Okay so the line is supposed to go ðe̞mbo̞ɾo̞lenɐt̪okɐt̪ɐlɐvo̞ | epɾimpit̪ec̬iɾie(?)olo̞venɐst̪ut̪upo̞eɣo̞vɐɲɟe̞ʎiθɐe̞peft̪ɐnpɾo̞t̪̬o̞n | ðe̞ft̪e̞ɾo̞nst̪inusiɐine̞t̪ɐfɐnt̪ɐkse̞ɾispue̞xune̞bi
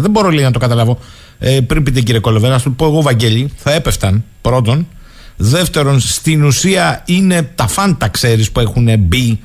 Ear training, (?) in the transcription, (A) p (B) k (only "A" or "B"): B